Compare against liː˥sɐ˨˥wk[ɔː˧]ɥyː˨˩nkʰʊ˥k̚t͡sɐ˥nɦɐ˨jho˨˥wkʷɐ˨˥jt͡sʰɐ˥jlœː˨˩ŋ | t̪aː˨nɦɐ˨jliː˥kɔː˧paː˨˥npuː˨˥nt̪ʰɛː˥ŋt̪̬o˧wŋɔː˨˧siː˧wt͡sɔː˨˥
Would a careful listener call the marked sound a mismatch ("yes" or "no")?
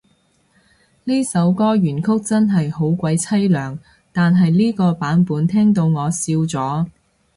yes